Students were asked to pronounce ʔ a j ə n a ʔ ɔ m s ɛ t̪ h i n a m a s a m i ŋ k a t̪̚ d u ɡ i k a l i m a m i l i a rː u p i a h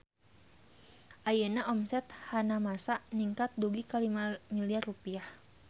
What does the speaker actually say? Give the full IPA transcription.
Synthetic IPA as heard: ʔ a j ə n a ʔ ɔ m s ɛ t̪ h a n a m a s a n i ŋ k a t̪̚ d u ɡ i k a l i m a m i l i a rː u p i a h